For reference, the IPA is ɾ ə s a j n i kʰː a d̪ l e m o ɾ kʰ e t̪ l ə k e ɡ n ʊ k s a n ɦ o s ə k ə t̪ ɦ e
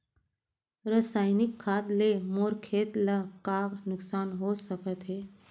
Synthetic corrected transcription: ɾ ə s a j n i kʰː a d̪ l e m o ɾ kʰ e t̪ l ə k a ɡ n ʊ k s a n ɦ o s ə k ə t̪ ɦ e

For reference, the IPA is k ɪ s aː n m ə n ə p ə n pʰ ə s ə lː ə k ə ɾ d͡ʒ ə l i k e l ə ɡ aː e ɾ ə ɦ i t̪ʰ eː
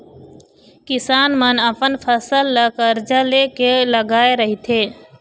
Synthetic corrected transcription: k ɪ s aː n m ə n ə p ə n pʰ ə s ə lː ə k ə ɾ d͡ʒ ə l e k e l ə ɡ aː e ɾ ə ɦ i t̪ʰ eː

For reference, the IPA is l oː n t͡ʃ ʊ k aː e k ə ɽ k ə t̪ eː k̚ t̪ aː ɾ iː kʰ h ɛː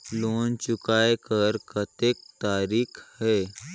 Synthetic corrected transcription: l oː n t͡ʃ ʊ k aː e k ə ɾ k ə t̪ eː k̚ t̪ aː ɾ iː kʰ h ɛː

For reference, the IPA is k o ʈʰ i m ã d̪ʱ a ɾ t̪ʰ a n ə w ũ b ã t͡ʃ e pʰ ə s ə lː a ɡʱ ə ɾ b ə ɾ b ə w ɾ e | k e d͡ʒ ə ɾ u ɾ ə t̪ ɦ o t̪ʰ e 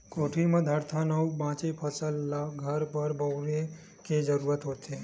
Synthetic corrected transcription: k o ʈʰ i m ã d̪ʱ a ɾ t̪ʰ a n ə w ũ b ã t͡ʃ e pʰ ə s ə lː a ɡʱ ə ɾ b ə ɾ b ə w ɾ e | k e d͡ʒ ə ɾ u ɾ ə t̪ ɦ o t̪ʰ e

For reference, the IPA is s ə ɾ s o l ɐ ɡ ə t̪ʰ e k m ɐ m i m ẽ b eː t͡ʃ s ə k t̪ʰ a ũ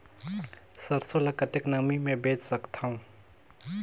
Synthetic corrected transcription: s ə ɾ s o l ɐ k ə t̪ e k n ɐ m i m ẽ b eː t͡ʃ s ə k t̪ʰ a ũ

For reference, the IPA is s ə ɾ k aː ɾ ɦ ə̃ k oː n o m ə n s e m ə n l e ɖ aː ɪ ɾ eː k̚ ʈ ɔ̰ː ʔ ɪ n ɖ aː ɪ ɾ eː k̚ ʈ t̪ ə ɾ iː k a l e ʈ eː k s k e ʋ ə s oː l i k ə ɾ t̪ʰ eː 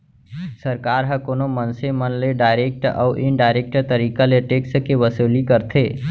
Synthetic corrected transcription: s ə ɾ k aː ɾ ɦ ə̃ k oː n o m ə n s e m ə n l e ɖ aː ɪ ɾ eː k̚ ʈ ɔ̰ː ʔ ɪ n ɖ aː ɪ ɾ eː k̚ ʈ t̪ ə ɾ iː k a l e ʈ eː k s k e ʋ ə s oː l i k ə ɾ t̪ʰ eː

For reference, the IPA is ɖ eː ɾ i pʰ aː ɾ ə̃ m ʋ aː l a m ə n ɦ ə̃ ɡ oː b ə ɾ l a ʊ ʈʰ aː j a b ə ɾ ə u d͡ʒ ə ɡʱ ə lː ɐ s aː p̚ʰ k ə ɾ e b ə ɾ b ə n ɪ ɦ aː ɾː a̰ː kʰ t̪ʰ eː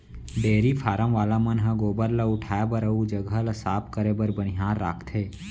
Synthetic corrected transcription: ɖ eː ɾ i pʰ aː ɾ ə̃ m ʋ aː l a m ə n ɦ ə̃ ɡ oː b ə ɾ l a ʊ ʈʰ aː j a b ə ɾ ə u d͡ʒ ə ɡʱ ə l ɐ s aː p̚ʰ k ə ɾ e b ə ɾ b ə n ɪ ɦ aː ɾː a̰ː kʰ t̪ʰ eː

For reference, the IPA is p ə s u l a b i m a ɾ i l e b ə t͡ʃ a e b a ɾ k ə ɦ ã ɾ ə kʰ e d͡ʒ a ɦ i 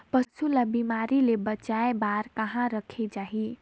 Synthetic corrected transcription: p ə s u l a b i m a ɾ i l e b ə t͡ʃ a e b a ɾ k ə ɦ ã ɾ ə kʰ e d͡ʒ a ɦ i

